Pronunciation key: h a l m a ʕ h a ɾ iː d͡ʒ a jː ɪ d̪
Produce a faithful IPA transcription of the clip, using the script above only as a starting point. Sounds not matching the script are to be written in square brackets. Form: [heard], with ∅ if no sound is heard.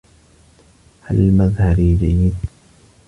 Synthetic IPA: h a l m a [ð] h a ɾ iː d͡ʒ a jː ɪ d̪